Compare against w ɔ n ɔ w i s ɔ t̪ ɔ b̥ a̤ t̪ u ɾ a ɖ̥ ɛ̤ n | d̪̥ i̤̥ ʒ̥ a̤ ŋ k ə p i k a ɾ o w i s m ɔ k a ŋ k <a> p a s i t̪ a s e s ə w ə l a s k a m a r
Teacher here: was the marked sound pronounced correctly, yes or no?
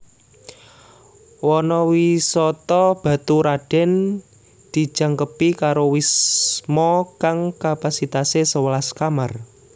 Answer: yes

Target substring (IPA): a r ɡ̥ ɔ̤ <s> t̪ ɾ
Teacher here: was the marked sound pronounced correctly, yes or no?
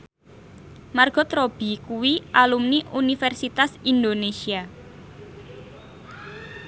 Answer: no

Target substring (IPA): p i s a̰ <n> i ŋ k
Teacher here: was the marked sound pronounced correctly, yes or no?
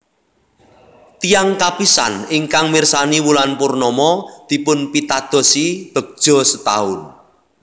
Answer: yes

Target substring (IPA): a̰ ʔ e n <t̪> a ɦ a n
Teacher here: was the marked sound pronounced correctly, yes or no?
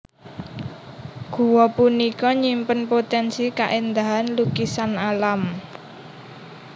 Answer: no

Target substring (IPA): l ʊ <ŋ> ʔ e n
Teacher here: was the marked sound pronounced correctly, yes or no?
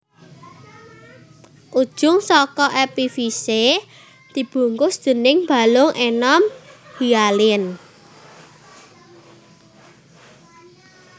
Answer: yes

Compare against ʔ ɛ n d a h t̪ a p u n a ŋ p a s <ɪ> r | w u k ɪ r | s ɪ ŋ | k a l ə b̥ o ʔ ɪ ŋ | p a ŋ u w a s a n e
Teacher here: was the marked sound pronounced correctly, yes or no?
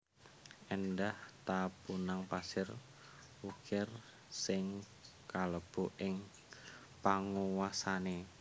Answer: yes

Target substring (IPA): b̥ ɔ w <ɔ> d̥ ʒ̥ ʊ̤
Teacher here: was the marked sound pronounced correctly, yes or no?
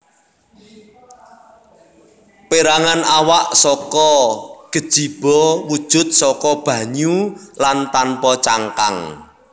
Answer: no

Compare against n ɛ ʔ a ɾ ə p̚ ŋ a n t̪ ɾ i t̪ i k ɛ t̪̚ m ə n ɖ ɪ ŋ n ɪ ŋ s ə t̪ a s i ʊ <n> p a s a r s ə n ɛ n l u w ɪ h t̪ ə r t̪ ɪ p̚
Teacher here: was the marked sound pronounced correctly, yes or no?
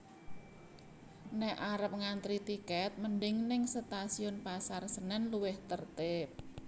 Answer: yes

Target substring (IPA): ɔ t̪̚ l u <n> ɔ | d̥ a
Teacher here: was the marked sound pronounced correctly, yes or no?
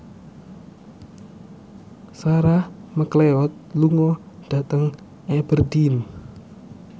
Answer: no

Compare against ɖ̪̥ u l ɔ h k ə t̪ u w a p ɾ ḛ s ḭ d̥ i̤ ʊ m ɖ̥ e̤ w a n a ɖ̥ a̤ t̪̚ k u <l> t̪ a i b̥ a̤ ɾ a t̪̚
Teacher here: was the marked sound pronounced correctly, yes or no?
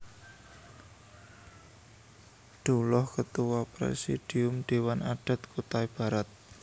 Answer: no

